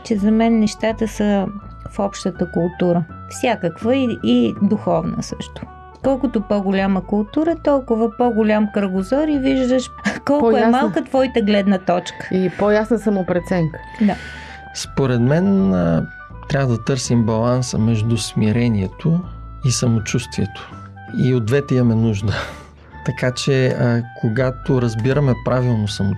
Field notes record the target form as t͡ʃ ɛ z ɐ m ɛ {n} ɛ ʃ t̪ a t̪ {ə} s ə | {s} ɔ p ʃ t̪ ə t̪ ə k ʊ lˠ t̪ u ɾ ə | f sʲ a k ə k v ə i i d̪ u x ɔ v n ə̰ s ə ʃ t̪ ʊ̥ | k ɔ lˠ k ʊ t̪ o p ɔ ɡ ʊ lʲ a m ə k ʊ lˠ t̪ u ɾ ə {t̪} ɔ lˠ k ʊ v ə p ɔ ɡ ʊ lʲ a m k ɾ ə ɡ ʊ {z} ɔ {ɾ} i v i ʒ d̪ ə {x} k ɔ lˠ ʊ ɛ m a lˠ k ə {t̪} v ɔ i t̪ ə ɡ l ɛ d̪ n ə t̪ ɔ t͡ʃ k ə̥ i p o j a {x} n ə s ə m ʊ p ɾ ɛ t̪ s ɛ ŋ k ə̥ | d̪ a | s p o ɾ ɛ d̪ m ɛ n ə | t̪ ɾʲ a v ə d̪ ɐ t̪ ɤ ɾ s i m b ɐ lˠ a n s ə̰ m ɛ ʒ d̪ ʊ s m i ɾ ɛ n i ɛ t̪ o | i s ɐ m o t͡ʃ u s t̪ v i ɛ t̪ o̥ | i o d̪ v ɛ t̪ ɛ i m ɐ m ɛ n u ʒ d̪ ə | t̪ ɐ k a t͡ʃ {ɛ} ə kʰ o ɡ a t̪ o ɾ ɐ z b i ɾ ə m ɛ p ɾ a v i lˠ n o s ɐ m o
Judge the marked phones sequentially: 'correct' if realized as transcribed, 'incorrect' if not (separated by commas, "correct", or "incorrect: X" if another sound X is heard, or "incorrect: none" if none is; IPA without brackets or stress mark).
incorrect: nː, correct, incorrect: f, correct, correct, correct, incorrect: ʃ, correct, incorrect: s, correct